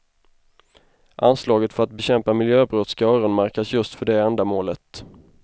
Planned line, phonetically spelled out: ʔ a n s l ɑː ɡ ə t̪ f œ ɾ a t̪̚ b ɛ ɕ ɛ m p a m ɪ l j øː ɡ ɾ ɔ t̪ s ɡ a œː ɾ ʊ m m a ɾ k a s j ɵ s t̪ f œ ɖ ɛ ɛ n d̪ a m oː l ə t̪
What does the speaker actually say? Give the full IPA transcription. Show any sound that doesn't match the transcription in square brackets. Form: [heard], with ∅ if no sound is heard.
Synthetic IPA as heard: ʔ a n s l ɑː ɡ ə t̪ f œ ɾ a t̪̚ b ɛ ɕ ɛ m p a m ɪ l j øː [b] ɾ ɔ t̪ s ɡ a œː ɾ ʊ [n] m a ɾ k a s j ɵ s t̪ f œ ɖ ɛ ɛ n d̪ a m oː l ə t̪

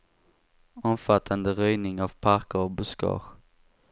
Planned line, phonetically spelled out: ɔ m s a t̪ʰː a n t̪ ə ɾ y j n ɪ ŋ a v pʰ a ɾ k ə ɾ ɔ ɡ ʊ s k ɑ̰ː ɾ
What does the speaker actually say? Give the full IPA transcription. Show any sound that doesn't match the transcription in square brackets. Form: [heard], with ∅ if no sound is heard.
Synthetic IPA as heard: ɔ m [f] a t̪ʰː a n [d̪] ə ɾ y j n ɪ ŋ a v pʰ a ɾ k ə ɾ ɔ [b] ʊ s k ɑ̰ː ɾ

